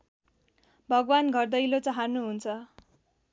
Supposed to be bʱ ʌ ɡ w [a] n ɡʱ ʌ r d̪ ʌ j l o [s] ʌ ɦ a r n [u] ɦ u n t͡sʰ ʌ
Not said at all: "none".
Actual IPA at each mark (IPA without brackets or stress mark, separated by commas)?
a, t͡s, u